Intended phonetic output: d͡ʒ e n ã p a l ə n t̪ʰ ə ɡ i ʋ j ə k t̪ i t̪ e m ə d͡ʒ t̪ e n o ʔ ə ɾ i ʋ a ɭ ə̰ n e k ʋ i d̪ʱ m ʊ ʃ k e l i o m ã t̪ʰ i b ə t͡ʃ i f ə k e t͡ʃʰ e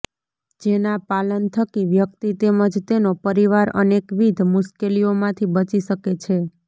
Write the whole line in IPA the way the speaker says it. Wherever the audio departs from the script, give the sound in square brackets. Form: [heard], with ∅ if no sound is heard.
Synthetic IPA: d͡ʒ e n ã p a l ə n t̪ʰ ə [k] i ʋ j ə k t̪ i t̪ e m ə d͡ʒ t̪ e n o [p] ə ɾ i ʋ a [ɾ] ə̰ n e k ʋ i d̪ʱ m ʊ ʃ k e l i o m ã t̪ʰ i b ə t͡ʃ i [ʃ] ə k e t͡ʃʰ e